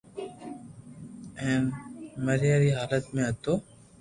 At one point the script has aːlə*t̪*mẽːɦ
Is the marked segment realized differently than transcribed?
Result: no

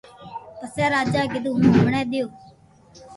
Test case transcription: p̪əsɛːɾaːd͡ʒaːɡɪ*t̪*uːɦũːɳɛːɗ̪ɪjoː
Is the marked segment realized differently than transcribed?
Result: yes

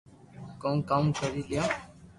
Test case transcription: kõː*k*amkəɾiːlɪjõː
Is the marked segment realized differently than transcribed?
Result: no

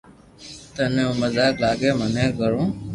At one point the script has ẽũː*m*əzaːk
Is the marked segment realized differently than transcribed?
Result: no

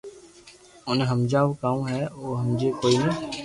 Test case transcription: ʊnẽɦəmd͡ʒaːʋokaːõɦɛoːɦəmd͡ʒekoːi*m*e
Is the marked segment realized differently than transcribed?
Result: yes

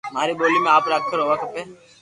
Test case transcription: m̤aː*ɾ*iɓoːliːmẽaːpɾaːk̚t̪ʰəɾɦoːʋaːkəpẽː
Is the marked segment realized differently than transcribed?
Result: no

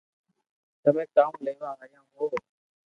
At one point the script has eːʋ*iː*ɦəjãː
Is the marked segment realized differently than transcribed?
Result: yes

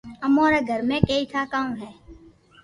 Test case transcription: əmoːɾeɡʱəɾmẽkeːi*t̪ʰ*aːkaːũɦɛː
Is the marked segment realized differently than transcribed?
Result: no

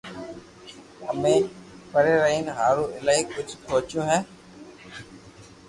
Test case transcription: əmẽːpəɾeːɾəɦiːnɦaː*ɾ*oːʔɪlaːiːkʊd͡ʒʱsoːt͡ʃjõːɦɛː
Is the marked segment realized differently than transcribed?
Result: no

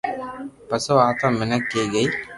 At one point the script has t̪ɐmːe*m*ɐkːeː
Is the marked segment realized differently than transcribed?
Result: yes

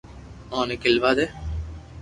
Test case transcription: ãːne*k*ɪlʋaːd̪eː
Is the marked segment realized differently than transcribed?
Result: no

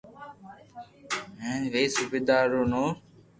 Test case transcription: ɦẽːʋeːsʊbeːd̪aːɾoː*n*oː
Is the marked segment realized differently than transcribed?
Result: no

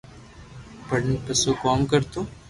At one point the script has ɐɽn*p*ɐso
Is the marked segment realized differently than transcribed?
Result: no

